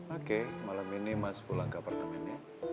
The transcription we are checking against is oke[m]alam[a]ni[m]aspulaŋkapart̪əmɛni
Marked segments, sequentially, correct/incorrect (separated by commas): correct, incorrect, correct